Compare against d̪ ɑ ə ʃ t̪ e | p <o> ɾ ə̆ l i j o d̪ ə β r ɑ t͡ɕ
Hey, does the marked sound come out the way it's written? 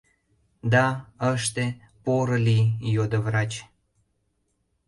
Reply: yes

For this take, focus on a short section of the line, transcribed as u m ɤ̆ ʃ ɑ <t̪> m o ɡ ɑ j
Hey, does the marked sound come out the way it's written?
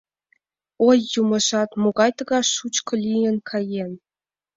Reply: yes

